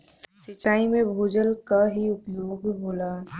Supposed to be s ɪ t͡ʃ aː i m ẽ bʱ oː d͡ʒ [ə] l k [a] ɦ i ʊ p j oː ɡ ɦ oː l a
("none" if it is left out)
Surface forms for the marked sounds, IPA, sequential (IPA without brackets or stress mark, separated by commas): ə, a